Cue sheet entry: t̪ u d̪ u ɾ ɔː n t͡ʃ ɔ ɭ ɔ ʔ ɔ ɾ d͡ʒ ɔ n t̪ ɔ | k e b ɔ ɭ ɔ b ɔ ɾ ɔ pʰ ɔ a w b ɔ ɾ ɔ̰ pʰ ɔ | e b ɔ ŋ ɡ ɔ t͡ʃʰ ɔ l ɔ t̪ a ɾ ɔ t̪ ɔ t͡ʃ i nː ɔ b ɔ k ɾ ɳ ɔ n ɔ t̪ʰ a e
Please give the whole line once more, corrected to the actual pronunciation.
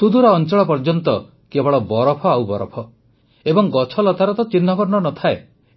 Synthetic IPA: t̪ u d̪ u ɾ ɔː n t͡ʃ ɔ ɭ ɔ p ɔ ɾ d͡ʒ ɔ n t̪ ɔ | k e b ɔ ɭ ɔ b ɔ ɾ ɔ pʰ ɔ a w b ɔ ɾ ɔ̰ pʰ ɔ | e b ɔ ŋ ɡ ɔ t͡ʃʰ ɔ l ɔ t̪ a ɾ ɔ t̪ ɔ t͡ʃ i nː ɔ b ɔ ɾ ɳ ɔ n ɔ t̪ʰ a e